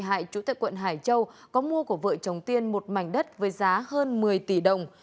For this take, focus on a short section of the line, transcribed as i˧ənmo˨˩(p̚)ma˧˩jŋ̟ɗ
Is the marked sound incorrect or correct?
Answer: incorrect: t̚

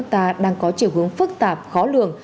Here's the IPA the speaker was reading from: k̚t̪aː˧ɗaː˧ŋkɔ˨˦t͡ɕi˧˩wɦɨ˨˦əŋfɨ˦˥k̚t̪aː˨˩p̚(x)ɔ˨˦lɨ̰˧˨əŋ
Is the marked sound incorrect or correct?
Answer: correct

